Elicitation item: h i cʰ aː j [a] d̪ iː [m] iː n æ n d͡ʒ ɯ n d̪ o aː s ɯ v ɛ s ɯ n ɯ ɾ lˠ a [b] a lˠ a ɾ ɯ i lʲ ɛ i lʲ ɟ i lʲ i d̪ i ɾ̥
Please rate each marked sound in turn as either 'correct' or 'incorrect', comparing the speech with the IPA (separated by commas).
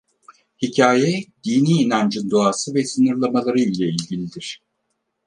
incorrect, incorrect, incorrect